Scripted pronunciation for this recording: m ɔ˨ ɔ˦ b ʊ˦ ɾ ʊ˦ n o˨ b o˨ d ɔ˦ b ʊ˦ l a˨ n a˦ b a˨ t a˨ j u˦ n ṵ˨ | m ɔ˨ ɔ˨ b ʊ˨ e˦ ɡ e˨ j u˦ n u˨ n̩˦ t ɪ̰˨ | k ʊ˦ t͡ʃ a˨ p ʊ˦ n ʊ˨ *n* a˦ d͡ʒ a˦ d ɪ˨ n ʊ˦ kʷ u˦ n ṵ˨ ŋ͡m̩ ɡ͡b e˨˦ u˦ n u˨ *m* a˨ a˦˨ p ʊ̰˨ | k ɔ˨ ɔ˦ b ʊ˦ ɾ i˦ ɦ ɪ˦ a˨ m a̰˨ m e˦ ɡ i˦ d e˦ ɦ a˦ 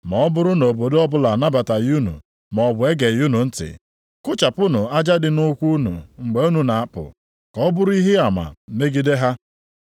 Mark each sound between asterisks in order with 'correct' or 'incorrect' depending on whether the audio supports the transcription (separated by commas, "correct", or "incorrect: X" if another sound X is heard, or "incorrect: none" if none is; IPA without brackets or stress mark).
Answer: incorrect: none, incorrect: n